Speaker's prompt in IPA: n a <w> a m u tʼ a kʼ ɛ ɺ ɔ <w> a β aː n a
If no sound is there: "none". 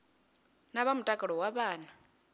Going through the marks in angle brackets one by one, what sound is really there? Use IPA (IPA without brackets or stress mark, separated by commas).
β, w